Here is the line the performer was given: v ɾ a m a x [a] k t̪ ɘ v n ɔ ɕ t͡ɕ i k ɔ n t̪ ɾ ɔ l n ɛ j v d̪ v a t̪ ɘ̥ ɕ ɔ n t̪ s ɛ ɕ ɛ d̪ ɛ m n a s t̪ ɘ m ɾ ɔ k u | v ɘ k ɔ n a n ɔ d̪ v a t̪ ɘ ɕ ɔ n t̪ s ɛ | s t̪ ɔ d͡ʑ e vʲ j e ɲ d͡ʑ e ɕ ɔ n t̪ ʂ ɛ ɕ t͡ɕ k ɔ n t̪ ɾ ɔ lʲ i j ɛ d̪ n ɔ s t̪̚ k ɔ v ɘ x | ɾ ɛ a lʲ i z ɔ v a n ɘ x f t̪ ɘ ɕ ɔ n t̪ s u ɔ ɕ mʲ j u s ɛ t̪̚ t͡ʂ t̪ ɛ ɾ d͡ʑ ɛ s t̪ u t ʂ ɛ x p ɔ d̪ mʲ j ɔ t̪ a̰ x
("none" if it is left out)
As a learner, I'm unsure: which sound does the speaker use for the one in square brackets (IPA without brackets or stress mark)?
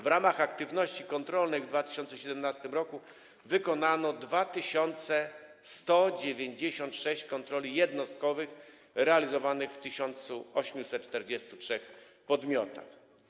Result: a